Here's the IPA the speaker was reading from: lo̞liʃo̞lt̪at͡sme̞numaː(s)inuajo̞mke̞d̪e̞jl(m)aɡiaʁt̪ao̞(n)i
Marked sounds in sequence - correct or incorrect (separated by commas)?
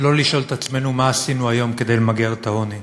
correct, correct, correct